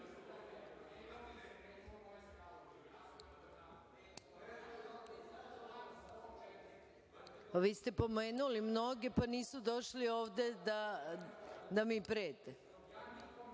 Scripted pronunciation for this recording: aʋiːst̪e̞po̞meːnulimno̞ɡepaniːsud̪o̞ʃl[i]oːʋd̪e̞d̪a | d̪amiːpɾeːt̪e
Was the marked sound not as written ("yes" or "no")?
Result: no